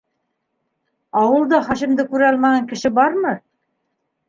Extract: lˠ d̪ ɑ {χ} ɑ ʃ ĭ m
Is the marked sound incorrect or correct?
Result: correct